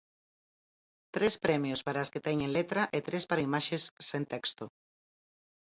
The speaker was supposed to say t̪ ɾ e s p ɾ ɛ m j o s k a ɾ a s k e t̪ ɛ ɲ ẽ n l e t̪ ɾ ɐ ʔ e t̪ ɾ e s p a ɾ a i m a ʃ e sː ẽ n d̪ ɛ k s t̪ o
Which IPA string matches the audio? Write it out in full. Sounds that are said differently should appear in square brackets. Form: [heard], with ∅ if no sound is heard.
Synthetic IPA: t̪ ɾ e s p ɾ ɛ m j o s [p] a ɾ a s k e t̪ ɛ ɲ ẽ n l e t̪ ɾ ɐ ʔ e t̪ ɾ e s p a ɾ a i m a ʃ e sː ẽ n [t̪] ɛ k s t̪ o

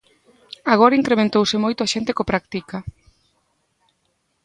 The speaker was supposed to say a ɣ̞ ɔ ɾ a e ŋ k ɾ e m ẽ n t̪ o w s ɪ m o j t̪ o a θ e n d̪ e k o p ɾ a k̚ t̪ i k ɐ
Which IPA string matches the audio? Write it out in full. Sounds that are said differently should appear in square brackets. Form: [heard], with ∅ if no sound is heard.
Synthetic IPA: a ɣ̞ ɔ ɾ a [i] ŋ k ɾ e m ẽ n t̪ o w s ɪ m o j t̪ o a [ʃ] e n [t̪] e k o p ɾ a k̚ t̪ i k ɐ

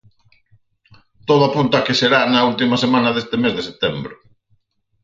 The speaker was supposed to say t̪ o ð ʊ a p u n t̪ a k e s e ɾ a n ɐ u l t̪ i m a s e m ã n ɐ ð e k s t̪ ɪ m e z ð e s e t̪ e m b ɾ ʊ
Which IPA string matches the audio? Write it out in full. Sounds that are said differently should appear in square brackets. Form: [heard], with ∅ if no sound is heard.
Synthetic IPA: t̪ o ð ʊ a p u n t̪ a k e s e ɾ a n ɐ u l t̪ i m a s e m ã n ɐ ð e [∅] s t̪ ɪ m e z ð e s e t̪ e m b ɾ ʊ

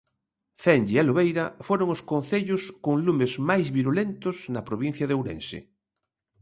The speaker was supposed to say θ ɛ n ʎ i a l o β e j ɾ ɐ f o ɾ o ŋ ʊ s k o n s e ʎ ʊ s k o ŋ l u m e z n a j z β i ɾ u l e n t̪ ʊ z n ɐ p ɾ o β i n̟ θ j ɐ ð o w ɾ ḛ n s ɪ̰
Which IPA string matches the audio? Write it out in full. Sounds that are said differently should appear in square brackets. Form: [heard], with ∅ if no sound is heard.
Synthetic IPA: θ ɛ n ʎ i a l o β e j ɾ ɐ f o ɾ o ŋ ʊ s k o n [θ] e ʎ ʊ s k o ŋ l u m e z [m] a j z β i ɾ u l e n t̪ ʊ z n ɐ p ɾ o β i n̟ θ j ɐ ð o w ɾ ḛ n s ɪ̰

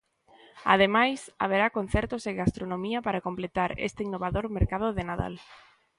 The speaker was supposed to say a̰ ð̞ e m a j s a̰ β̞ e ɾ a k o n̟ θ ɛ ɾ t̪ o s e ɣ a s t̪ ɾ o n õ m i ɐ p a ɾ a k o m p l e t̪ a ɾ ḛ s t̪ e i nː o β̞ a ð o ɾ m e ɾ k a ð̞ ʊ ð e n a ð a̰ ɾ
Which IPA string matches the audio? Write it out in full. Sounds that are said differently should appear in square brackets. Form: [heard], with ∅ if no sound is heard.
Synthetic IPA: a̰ ð̞ e m a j s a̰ β̞ e ɾ a k o n̟ θ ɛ ɾ t̪ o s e ɣ a s t̪ ɾ o n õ m i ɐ p a ɾ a k o m p l e t̪ a ɾ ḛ s t̪ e i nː o β̞ a ð o ɾ m e ɾ k a ð̞ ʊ ð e n a ð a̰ [l]

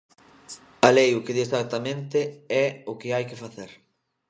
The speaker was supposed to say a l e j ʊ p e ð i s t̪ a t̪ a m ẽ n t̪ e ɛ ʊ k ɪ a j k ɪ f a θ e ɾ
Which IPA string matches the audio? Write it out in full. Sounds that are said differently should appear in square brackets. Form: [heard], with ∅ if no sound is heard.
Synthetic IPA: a l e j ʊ [k] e ð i s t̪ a t̪ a m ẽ n t̪ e ɛ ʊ k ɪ a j k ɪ f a θ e ɾ

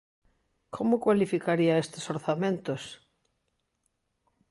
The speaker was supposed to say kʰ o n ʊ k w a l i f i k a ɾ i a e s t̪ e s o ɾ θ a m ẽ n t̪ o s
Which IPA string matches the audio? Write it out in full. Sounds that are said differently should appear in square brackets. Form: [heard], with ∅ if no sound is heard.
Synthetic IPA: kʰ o [m] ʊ k w a l i f i k a ɾ i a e s t̪ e s o ɾ θ a m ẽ n t̪ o s

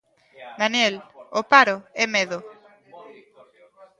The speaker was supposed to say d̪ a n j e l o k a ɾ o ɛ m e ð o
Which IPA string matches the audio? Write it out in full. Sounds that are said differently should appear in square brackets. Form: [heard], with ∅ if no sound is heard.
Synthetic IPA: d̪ a n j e l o [p] a ɾ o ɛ m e ð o

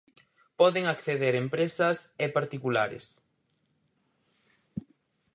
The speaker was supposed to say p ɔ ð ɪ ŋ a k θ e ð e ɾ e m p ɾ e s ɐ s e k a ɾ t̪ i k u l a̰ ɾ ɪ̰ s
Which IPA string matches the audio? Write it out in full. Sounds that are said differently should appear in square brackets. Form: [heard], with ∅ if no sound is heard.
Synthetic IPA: p ɔ ð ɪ ŋ a k θ e ð e ɾ e m p ɾ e s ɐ s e [p] a ɾ t̪ i k u l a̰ ɾ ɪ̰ s

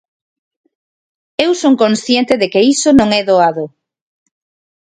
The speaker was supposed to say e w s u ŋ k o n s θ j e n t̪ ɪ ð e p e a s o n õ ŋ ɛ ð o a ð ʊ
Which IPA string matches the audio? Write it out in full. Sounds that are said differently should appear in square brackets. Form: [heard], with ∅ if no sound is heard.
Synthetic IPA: e w s [o] ŋ k o n s θ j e n t̪ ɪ ð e [k] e [i] s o n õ ŋ ɛ ð o a ð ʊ

